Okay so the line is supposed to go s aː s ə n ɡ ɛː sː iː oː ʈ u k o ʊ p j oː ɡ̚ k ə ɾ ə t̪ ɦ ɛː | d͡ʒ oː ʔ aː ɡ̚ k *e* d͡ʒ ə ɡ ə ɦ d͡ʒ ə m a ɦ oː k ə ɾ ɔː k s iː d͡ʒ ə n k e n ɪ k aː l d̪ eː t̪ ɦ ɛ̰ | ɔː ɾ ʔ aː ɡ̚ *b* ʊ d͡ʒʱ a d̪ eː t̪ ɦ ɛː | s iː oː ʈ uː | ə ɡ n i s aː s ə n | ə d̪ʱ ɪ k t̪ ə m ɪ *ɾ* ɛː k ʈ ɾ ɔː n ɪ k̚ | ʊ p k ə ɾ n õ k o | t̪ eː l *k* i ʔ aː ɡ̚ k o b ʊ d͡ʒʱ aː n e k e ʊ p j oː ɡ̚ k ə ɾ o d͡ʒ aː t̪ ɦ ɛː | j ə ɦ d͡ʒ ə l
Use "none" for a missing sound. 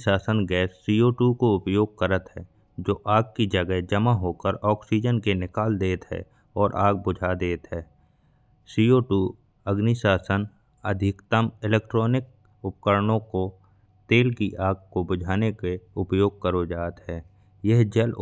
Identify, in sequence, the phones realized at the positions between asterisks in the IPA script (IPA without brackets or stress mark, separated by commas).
i, b, l, k